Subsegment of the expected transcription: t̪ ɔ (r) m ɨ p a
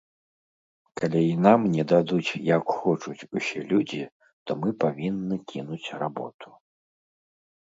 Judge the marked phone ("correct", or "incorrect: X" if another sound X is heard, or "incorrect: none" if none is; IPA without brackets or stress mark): incorrect: none